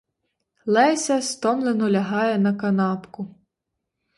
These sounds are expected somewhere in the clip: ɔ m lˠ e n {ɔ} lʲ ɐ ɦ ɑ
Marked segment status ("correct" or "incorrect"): correct